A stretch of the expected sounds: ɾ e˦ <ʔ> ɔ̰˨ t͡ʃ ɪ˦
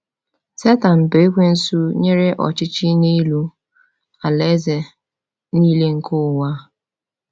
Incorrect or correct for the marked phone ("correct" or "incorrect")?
correct